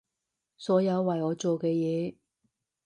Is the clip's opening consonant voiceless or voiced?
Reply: voiceless